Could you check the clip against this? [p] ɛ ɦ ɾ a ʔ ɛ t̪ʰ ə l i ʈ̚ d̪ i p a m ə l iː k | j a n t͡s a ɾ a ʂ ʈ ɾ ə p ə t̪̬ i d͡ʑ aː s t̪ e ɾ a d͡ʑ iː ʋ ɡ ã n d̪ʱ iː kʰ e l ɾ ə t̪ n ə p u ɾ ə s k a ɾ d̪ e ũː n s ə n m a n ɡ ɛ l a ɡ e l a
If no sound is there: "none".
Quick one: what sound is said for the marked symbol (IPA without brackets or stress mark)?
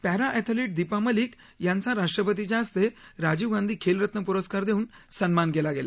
p